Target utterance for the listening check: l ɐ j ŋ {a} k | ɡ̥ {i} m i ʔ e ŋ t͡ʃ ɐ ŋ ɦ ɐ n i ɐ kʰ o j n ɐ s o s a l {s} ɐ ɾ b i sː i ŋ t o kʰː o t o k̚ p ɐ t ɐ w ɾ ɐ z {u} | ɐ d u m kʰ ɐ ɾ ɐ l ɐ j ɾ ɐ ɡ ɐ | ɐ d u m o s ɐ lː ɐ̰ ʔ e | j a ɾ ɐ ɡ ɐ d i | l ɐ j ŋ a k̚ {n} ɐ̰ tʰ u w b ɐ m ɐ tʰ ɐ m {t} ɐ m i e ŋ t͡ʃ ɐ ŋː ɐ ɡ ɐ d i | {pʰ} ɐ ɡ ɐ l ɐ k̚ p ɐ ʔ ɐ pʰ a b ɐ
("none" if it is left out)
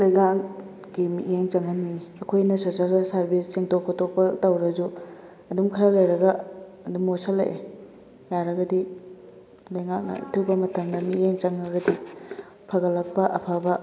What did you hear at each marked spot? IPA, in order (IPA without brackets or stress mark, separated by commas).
a, i, s, u, n, d, pʰ